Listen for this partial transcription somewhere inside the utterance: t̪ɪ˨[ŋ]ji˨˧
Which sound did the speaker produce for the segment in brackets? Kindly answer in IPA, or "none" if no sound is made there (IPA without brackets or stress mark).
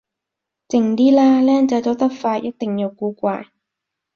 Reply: ŋ